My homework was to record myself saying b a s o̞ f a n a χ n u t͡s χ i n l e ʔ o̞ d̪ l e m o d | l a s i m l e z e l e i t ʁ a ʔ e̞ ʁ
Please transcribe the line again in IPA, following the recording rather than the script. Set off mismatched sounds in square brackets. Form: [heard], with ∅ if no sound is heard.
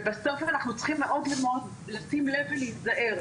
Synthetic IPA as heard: b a s o̞ f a n a χ n u t͡s χ i [m] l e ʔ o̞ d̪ l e m o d | l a s i m l e [v] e l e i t [z] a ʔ e̞ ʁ